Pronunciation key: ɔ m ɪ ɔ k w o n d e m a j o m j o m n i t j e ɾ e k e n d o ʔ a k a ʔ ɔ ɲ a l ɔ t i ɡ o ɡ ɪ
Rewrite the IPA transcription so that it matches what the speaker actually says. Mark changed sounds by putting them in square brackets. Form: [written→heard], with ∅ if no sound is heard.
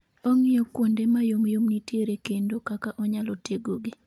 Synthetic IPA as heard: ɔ [m→ŋ] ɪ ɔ k w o n d e m a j o m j o m n i t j e ɾ e k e n d o [ʔ→k] a k a ʔ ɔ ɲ a l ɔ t [i→e] ɡ o ɡ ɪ